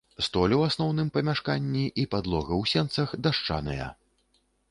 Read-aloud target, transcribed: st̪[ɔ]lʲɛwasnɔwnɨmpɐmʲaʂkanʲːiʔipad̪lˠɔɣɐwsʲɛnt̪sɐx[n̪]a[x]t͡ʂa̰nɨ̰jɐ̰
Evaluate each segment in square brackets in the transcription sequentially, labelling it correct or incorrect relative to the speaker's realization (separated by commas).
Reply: correct, incorrect, incorrect